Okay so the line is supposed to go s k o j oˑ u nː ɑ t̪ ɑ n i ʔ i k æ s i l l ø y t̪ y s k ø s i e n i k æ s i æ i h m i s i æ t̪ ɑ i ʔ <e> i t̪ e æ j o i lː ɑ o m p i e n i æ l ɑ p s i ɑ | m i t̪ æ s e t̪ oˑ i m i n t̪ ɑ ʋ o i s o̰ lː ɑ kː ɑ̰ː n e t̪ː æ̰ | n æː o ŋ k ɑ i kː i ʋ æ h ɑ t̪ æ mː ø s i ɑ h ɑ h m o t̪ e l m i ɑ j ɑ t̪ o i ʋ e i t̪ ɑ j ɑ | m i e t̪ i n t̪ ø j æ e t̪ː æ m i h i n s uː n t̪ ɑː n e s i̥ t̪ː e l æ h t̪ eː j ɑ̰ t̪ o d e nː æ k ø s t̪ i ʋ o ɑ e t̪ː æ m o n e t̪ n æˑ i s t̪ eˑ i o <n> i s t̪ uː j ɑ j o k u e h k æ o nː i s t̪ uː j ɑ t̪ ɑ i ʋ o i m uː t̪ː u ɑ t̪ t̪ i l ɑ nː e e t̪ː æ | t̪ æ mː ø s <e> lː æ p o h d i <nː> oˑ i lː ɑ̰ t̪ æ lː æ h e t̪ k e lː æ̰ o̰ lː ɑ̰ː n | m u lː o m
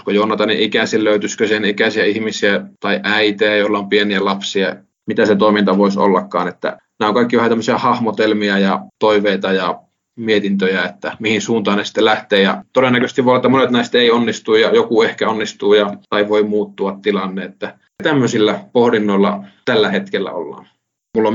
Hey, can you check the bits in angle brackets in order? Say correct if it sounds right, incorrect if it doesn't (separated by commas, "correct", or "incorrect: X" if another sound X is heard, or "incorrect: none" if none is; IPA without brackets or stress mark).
incorrect: æ, incorrect: nː, incorrect: i, correct